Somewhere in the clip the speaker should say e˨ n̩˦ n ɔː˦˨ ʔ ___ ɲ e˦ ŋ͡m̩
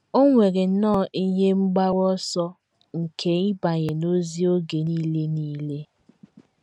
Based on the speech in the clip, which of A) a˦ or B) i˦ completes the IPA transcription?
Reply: B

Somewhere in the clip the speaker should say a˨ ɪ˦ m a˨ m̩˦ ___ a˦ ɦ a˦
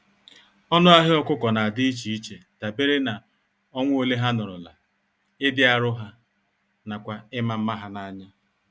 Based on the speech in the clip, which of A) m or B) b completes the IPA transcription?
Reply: A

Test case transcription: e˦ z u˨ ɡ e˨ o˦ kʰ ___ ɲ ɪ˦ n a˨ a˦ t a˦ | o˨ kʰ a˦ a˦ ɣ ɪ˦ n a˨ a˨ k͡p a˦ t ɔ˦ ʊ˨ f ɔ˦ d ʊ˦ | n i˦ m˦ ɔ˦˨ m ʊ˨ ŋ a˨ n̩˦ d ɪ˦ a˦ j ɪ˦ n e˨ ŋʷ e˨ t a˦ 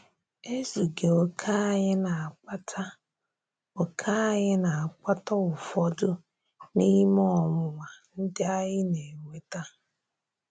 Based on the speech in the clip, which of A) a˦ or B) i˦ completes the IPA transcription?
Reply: A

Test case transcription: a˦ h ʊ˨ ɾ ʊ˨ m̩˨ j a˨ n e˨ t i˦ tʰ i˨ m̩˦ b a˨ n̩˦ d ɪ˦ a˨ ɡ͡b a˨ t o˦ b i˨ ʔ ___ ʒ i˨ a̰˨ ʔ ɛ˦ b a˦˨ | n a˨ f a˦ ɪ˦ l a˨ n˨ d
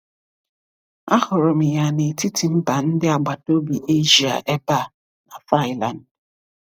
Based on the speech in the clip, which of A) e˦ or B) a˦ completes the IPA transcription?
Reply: A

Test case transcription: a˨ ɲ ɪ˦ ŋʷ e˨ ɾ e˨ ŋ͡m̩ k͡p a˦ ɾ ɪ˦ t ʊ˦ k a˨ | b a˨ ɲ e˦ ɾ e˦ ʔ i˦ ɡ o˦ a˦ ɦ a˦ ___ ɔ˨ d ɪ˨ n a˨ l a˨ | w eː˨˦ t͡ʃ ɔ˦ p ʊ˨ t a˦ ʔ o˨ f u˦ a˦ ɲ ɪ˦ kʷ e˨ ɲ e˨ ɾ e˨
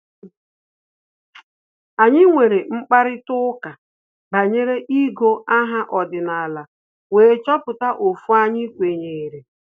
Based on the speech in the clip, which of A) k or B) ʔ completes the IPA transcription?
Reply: B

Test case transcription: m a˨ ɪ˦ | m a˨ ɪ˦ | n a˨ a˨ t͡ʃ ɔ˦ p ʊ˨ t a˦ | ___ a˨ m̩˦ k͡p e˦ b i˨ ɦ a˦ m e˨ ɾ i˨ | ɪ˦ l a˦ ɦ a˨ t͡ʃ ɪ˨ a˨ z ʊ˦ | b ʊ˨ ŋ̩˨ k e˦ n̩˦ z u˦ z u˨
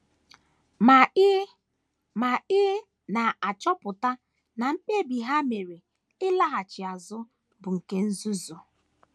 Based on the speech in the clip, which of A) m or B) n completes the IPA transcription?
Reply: B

